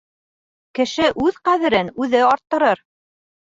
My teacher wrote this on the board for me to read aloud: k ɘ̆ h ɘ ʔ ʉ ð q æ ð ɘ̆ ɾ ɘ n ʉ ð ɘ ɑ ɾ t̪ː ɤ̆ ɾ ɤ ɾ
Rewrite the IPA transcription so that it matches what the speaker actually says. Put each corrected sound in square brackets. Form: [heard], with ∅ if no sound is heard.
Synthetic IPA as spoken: k ɘ̆ [ʃ] ɘ ʔ ʉ ð q æ ð ɘ̆ ɾ ɘ n ʉ ð ɘ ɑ ɾ t̪ː ɤ̆ ɾ ɤ ɾ